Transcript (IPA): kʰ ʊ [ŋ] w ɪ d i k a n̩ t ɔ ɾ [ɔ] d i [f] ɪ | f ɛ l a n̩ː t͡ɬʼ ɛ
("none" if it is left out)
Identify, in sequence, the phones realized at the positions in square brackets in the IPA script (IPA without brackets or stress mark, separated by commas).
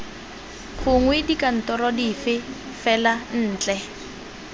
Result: ŋ, ɔ, f